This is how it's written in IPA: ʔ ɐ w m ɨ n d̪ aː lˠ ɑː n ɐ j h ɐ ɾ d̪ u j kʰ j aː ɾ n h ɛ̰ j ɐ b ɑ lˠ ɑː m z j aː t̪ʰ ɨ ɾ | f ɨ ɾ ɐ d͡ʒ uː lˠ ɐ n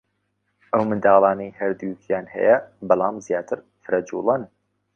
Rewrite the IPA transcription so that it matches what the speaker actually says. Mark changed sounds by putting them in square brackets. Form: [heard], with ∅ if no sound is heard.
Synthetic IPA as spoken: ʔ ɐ w m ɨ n d̪ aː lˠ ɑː n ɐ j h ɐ ɾ d̪ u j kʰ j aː [∅] n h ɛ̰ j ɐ b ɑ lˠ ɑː m z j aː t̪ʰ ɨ ɾ | f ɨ ɾ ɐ d͡ʒ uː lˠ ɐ n